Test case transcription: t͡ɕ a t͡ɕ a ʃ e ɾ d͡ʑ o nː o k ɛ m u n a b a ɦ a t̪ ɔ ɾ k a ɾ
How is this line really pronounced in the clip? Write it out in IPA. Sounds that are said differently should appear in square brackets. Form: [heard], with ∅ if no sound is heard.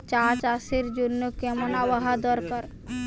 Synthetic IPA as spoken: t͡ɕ a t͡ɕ a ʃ e ɾ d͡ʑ o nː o k ɛ m [o] n a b a ɦ a [d̪] ɔ ɾ k a ɾ